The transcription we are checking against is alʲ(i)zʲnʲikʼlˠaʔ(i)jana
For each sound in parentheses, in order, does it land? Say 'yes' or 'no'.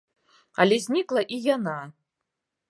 no, yes

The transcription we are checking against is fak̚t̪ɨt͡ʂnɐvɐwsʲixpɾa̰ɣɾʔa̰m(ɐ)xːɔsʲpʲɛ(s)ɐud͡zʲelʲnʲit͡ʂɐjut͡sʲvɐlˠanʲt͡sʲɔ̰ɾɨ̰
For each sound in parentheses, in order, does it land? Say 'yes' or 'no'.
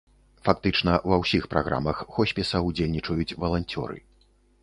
yes, yes

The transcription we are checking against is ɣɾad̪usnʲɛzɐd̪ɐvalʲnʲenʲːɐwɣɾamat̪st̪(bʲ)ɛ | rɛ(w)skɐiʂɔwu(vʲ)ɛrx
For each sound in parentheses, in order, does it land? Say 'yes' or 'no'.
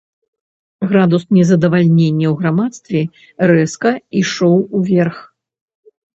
no, no, yes

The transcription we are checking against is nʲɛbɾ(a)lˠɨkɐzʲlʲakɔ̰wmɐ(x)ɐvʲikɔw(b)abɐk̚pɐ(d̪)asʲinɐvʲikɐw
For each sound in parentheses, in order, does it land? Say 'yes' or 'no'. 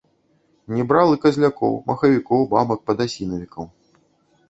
yes, yes, yes, yes

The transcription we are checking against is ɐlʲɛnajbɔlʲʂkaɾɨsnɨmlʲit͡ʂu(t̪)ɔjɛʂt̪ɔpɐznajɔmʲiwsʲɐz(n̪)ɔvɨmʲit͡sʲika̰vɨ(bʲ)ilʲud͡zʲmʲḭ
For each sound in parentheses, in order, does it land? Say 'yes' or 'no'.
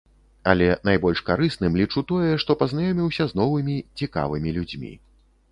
yes, yes, no

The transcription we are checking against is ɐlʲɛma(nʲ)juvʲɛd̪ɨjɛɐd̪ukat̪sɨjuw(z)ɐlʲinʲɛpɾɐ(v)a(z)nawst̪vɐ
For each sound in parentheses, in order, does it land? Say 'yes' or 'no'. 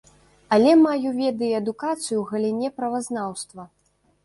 no, no, yes, yes

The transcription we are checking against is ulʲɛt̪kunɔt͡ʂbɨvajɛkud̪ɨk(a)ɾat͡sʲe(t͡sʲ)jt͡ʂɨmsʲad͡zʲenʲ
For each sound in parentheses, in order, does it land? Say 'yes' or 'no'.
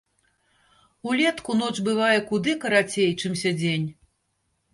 no, no

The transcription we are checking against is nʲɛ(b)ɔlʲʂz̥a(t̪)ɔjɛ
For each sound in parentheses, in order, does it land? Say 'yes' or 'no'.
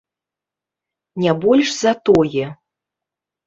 yes, yes

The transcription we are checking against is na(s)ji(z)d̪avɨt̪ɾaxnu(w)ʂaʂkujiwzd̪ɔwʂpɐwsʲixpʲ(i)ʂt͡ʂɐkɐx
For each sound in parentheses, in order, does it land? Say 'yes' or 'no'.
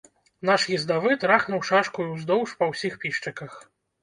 no, yes, yes, yes

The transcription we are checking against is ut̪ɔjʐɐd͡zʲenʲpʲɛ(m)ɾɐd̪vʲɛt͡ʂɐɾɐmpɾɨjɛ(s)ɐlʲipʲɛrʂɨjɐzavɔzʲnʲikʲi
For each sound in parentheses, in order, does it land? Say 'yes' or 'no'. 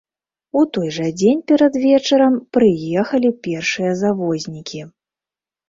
no, no

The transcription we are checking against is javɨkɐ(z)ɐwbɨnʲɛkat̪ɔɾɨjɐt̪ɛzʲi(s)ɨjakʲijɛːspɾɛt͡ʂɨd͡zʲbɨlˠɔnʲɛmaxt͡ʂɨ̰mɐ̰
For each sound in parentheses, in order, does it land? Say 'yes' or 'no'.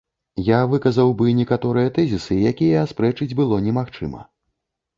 yes, yes

